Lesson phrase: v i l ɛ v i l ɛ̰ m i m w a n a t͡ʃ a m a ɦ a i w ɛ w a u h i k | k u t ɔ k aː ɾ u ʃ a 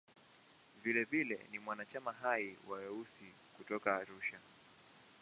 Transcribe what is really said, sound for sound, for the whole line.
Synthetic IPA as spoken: v i l ɛ v i l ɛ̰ n i m w a n a t͡ʃ a m a ɦ a i w a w ɛ u s i | k u t ɔ k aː ɾ u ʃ a

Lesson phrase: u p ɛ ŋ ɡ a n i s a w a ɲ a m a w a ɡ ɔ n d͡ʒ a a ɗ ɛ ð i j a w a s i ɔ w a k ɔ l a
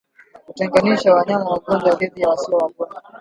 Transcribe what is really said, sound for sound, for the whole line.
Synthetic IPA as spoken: u t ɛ ŋ ɡ a n i ʃ a w a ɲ a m a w a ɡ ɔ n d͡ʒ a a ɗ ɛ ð i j a w a s i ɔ w a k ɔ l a

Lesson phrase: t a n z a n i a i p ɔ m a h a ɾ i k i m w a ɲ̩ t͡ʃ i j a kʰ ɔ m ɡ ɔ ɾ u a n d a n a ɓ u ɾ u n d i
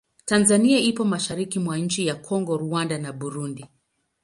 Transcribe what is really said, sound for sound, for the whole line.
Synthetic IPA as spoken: t a n z a n i a i p ɔ m a ʃ a ɾ i k i m w a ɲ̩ t͡ʃ i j a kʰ ɔ ŋ ɡ ɔ ɾ u a n d a n a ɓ u ɾ u n d i

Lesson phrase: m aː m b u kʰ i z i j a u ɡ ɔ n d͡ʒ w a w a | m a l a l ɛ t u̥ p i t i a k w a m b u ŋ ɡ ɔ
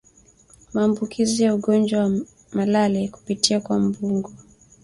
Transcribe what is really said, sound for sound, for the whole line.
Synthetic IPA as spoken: m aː m b u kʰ i z i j a u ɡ ɔ n d͡ʒ w a w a | m a l a l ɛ k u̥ p i t i a k w a m b u ŋ ɡ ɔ

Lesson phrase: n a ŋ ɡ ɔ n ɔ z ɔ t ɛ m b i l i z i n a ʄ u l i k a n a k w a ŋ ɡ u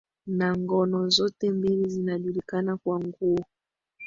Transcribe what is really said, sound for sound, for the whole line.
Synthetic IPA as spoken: n a ŋ ɡ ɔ n ɔ z ɔ t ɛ m b i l i z i n a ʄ u l i k a n a k w a ŋ ɡ u

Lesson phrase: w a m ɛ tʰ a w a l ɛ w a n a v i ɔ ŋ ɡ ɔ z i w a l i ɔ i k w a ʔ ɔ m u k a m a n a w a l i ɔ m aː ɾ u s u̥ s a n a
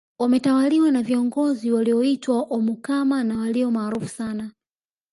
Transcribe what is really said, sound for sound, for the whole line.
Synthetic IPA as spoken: w a m ɛ t a w a l i w a n a v i ɔ ŋ ɡ ɔ z i w a l i ɔ i t w a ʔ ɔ m u k a m a n a w a l i ɔ m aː ɾ u f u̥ s a n a

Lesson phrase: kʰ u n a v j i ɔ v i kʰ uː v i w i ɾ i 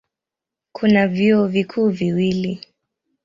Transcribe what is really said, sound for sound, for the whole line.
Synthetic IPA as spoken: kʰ u n a v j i ɔ v i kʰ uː v i w i l i

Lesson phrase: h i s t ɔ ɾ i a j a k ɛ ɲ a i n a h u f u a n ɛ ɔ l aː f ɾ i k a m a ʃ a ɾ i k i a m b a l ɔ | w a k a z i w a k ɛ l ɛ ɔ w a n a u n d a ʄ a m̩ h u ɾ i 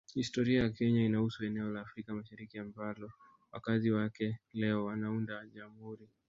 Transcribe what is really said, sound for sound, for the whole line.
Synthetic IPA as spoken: h i s t ɔ ɾ i a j a k ɛ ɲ a i n a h u s u ɛ n ɛ ɔ l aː f ɾ i k a m a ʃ a ɾ i k i a m b a l ɔ | w a k a z i w a k ɛ l ɛ ɔ w a n a u n d a ʄ a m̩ h u ɾ i

